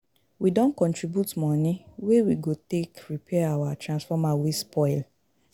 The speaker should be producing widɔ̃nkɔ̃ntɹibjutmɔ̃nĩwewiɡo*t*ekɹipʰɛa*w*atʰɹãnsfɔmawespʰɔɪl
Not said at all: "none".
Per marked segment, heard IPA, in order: t, w

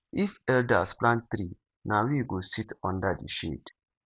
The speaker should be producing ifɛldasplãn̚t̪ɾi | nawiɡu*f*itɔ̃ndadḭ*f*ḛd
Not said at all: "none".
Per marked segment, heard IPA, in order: s, ʃ

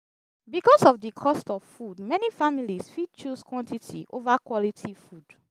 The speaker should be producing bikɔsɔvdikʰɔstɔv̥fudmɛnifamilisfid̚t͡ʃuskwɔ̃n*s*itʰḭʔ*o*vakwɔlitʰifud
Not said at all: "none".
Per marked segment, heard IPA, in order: t, o

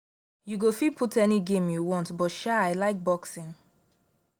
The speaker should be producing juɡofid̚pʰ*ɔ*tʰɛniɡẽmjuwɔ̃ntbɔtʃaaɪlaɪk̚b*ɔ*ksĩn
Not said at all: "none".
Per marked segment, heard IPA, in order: u, ɔ

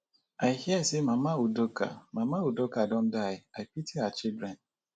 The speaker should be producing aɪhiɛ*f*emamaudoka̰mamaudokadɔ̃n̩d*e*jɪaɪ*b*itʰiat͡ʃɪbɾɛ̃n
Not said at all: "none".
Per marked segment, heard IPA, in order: s, a, p

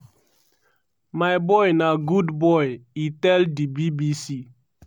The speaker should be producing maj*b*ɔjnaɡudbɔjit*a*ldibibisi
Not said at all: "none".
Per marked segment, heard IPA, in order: b, ɛ

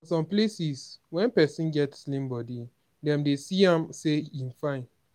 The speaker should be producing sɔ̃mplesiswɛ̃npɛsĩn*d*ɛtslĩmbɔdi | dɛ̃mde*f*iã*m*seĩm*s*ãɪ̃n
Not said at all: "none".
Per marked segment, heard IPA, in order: ɡ, s, m, f

